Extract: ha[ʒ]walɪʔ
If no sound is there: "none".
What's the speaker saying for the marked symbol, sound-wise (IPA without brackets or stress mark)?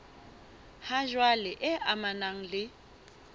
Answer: ʒ